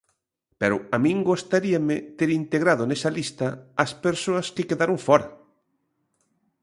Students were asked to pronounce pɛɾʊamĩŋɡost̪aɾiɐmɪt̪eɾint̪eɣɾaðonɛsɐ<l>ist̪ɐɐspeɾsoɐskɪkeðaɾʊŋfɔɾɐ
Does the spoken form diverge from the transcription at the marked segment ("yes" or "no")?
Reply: no